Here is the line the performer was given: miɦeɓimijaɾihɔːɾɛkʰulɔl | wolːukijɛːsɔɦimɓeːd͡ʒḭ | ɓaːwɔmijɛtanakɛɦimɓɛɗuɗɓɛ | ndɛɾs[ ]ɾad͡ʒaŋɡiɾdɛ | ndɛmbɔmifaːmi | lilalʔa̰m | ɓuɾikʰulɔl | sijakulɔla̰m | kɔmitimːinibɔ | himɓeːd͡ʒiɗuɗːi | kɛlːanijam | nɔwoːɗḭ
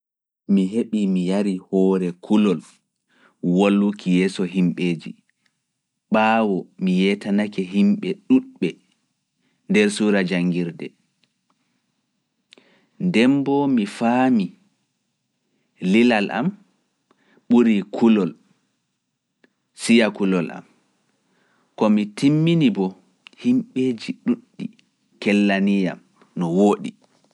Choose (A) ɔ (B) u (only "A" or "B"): B